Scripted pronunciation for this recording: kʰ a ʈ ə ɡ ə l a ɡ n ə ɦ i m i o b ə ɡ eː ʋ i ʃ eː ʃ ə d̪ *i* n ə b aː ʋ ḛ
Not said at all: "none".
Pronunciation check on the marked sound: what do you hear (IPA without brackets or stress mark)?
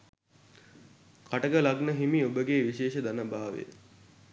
a